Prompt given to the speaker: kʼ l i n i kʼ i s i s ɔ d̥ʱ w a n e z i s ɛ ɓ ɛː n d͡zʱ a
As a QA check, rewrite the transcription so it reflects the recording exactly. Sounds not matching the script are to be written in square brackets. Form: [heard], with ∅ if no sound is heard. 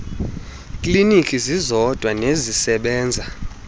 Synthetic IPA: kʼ l i n i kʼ i [z] i [z] ɔ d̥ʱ w a n e z i s ɛ ɓ ɛː n d͡zʱ a

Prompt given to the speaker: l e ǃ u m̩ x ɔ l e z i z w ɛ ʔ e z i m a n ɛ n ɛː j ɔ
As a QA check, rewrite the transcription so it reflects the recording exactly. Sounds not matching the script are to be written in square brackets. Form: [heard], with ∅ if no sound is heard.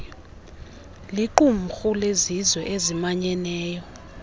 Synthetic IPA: l [i] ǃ u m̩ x [u] l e z i z w ɛ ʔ e z i m a [ɲ] ɛ n ɛː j ɔ

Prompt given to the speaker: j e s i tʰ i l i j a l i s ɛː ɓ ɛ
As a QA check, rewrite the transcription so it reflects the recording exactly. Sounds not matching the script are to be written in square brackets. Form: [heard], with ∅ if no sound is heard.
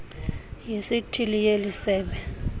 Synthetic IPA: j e s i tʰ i l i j [e] l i s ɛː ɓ ɛ

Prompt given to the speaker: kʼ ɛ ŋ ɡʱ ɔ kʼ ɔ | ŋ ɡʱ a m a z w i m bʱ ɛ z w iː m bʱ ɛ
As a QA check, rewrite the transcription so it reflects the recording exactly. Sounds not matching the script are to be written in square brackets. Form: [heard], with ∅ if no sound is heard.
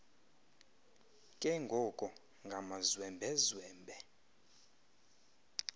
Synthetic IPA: kʼ ɛ ŋ ɡʱ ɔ kʼ ɔ | ŋ ɡʱ a m a z w [ɛ] m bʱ ɛ z w [ɛː] m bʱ ɛ

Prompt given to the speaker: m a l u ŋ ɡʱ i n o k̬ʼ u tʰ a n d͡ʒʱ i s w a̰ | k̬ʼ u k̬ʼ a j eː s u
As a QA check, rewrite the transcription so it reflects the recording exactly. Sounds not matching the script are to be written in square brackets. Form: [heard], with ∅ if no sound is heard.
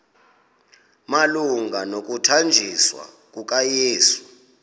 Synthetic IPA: m a l u ŋ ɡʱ [a] n o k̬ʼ u tʰ a n d͡ʒʱ i s w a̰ | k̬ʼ u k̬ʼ a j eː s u

